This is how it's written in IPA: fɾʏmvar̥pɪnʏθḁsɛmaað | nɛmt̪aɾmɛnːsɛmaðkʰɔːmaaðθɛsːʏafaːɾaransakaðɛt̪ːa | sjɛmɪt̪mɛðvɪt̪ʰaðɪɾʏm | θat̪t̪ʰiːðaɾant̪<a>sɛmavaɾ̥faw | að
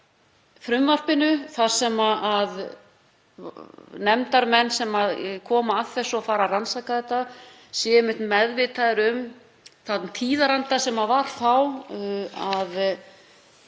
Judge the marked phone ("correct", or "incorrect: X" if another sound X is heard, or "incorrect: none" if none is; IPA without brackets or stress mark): correct